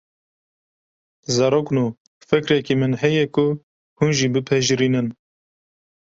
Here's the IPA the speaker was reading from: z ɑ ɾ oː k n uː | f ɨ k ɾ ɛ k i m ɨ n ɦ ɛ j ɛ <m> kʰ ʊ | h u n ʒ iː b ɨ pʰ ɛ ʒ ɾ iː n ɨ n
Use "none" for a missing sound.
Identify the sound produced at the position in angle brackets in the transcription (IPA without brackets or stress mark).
none